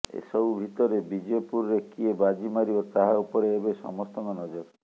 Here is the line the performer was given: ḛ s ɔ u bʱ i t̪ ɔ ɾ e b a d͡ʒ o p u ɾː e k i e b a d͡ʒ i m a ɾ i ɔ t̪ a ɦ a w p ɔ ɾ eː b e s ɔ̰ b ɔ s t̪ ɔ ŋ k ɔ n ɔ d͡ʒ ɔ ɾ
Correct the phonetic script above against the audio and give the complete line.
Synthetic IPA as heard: ḛ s ɔ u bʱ i t̪ ɔ ɾ e b i d͡ʒ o p u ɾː e k i e b a d͡ʒ i m a ɾ i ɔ t̪ a ɦ a u p ɔ ɾ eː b e s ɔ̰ m ɔ s t̪ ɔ ŋ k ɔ n ɔ d͡ʒ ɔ ɾ